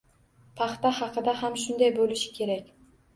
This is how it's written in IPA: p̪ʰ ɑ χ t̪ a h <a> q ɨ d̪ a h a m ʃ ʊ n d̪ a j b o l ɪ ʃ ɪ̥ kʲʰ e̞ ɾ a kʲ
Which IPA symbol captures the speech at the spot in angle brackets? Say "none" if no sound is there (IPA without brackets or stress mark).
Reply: ɑ